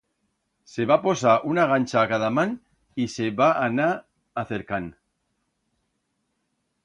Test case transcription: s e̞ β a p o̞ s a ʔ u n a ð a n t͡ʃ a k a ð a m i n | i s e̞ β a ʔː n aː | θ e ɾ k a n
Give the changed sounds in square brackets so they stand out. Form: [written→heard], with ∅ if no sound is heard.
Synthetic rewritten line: s e̞ β a p o̞ s a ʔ u n a [ð→ɣ] a n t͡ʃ a k a ð a m [i→a] n | i s e̞ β a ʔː n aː | θ e ɾ k a n